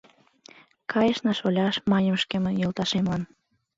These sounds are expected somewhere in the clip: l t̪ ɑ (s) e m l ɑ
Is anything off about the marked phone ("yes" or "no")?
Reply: yes